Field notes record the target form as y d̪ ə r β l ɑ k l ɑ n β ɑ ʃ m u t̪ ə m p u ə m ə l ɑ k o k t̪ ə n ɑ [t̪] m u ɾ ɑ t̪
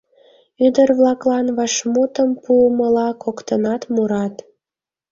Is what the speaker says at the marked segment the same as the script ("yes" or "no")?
yes